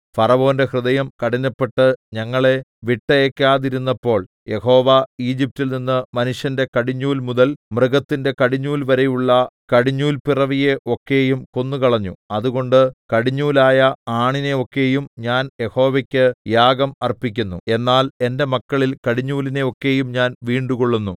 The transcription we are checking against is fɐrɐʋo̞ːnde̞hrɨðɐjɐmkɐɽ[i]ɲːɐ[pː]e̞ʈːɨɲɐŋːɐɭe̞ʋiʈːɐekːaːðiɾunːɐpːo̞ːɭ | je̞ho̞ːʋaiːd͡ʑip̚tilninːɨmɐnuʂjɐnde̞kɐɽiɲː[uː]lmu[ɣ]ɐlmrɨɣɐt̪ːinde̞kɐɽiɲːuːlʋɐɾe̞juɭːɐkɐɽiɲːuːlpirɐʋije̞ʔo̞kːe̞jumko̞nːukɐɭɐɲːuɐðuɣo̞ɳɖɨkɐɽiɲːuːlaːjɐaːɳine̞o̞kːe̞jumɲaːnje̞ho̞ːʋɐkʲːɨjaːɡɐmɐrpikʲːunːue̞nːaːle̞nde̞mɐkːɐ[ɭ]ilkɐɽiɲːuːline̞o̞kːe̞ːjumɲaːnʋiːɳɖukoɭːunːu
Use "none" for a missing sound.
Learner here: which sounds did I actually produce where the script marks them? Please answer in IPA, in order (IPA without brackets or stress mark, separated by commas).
i, pː, uː, ð, ɭ